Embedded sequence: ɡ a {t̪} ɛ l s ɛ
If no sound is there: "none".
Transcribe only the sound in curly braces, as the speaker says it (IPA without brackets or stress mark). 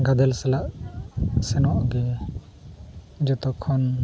d̪